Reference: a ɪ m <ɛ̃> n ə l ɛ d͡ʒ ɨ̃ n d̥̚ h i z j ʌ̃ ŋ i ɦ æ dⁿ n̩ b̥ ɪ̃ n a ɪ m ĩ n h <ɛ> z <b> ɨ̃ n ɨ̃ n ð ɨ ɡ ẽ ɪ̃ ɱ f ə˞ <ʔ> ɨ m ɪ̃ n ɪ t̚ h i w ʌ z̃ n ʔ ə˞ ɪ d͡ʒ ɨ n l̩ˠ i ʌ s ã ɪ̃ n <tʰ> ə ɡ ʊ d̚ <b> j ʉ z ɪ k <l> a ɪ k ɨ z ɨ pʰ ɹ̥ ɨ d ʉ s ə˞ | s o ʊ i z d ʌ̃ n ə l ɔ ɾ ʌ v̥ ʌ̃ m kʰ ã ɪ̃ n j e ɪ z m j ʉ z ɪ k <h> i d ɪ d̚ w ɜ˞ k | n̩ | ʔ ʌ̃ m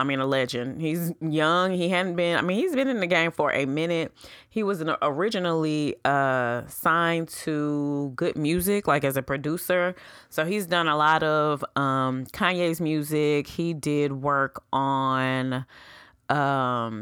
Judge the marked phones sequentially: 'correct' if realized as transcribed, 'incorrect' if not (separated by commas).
incorrect, incorrect, correct, correct, correct, incorrect, correct, correct